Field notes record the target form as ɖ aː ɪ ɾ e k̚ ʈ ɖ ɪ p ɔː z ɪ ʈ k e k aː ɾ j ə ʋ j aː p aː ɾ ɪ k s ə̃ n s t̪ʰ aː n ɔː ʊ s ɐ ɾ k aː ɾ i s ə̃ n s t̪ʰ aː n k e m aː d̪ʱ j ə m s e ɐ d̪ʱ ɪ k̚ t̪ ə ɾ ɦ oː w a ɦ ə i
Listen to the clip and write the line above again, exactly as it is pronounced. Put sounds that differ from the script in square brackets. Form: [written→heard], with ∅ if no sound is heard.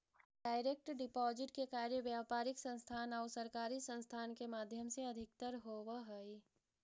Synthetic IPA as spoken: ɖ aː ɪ ɾ e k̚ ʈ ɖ ɪ p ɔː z ɪ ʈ k e k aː ɾ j ə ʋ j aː p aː ɾ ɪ k s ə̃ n s t̪ʰ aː n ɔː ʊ s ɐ ɾ k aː ɾ i s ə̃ n s t̪ʰ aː n k e m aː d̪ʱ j ə m s e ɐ d̪ʱ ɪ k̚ t̪ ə ɾ ɦ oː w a ɦ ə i